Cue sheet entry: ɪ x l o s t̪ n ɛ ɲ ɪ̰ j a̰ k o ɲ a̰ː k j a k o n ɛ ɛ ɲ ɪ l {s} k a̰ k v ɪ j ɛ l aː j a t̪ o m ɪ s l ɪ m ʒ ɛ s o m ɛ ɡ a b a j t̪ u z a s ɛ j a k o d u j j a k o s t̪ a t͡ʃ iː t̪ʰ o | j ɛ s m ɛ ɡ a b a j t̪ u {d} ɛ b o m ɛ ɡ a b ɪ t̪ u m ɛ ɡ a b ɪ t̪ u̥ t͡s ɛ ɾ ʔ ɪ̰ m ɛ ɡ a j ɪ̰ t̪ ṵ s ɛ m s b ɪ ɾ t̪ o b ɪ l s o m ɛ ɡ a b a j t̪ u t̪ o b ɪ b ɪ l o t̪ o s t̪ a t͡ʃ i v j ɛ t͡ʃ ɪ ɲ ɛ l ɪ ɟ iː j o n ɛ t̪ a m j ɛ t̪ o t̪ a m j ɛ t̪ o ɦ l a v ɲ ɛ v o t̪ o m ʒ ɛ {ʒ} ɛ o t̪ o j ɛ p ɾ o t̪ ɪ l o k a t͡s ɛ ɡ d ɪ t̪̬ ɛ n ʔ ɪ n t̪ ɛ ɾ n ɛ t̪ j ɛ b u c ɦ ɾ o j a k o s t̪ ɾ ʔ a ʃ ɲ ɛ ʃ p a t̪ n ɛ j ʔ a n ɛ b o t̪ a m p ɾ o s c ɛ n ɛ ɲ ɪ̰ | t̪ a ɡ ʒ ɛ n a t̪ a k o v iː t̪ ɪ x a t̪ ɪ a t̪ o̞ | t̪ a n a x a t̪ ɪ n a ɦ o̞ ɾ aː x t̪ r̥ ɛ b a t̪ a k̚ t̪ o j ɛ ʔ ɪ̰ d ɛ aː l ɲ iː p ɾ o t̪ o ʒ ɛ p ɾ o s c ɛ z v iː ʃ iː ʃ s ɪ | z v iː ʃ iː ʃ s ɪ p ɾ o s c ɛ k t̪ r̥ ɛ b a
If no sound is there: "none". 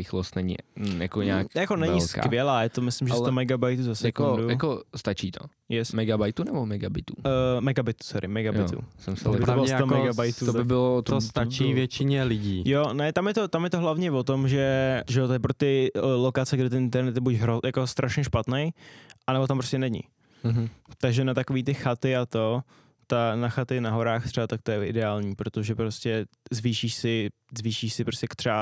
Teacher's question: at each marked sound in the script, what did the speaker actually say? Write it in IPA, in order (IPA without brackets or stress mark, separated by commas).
s, n, ʒ